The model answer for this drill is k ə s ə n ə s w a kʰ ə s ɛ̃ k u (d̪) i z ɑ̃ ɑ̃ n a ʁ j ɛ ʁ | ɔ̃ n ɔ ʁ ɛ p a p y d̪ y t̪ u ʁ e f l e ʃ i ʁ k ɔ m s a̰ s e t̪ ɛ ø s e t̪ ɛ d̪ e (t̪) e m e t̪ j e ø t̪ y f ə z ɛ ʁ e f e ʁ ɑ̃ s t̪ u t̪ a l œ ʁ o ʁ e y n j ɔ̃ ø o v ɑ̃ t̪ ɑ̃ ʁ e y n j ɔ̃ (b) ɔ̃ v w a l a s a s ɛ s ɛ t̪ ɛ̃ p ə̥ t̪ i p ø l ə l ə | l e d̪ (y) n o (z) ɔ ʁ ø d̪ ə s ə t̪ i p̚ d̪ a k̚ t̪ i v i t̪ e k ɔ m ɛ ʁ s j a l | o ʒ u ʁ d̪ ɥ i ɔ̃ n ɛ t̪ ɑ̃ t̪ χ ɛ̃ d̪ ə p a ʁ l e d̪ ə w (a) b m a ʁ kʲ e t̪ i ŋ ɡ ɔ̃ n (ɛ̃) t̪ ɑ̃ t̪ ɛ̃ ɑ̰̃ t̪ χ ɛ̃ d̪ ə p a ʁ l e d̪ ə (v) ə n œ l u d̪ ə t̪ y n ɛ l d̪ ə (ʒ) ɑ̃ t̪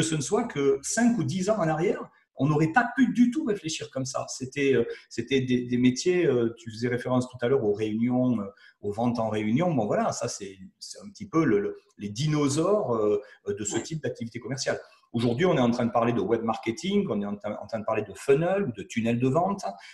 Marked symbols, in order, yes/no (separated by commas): yes, no, yes, no, yes, no, no, no, no